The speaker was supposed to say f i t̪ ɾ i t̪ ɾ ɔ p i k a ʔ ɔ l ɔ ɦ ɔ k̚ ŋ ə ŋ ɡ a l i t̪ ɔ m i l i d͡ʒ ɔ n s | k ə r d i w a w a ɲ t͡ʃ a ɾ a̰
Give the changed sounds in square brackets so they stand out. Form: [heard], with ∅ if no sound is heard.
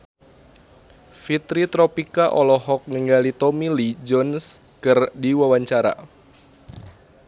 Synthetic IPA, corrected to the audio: f i t̪ ɾ i t̪ ɾ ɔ p i k a ʔ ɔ l ɔ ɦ ɔ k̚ ŋ ə ŋ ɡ a l i t̪ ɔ m i l i d͡ʒ ɔ n s | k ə r d i w a w a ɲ t͡ʃ a ɾ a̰